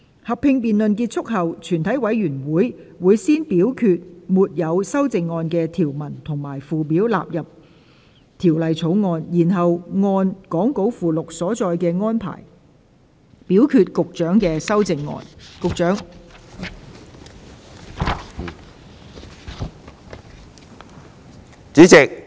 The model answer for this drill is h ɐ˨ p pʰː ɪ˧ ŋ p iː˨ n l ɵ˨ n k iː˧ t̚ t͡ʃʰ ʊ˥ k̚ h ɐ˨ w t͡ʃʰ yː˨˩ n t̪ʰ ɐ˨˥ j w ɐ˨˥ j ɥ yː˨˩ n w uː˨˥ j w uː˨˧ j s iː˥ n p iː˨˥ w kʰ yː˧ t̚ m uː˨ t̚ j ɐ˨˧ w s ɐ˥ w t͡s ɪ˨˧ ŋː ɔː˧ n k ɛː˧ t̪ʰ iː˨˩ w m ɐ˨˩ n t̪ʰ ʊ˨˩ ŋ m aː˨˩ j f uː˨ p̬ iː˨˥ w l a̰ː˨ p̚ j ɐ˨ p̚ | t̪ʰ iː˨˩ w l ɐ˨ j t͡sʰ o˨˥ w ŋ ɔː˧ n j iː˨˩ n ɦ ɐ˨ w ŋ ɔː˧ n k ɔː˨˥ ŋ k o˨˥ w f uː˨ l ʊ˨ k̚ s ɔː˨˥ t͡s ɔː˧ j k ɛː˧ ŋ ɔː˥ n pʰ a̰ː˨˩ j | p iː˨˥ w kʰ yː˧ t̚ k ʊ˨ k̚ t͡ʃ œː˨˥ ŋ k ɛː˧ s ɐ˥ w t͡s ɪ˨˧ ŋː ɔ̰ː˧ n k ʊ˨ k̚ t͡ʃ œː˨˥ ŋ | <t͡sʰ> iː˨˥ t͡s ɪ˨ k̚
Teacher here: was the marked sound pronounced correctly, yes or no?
no